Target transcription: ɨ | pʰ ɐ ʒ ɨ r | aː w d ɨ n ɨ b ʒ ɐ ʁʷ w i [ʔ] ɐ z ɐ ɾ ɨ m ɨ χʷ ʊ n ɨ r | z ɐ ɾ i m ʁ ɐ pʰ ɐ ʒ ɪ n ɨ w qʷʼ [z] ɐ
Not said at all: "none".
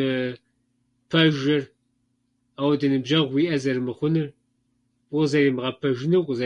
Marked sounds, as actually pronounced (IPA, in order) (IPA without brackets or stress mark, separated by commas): ʔ, z